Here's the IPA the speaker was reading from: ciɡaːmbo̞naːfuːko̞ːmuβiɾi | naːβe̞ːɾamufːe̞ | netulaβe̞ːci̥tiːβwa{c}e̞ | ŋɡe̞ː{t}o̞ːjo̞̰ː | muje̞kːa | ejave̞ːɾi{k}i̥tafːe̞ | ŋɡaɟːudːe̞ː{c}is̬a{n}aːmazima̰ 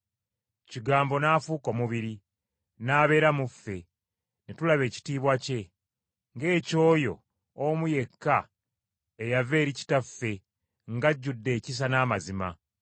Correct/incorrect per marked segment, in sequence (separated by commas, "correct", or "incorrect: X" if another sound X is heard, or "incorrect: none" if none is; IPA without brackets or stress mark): correct, incorrect: c, incorrect: c, correct, correct